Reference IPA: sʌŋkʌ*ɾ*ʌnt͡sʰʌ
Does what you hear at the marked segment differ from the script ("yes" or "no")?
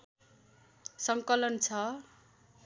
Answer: yes